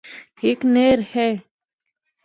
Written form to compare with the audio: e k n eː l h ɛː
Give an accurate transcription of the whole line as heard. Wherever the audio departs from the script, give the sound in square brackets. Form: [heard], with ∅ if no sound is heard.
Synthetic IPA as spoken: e k n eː [ɾ] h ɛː